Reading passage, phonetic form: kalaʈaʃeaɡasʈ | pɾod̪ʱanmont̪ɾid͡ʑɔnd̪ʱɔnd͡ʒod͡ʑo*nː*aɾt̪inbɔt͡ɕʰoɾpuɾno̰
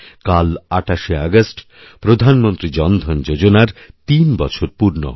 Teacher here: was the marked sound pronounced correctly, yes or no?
no